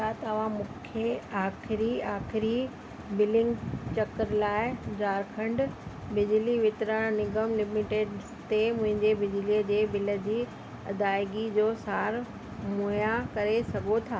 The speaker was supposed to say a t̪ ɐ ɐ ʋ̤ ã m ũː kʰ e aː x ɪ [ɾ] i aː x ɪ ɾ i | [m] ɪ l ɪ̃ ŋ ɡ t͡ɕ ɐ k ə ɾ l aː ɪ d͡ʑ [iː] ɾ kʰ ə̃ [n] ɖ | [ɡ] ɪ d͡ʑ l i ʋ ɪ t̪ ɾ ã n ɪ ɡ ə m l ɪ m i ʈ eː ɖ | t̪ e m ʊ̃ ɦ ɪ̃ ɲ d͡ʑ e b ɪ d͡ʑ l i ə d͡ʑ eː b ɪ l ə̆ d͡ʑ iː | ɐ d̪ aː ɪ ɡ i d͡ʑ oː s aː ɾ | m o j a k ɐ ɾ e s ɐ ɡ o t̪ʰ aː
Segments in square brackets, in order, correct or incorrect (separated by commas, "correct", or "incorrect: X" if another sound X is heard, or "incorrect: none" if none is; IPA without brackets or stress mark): correct, incorrect: b, incorrect: aː, incorrect: ɳ, incorrect: b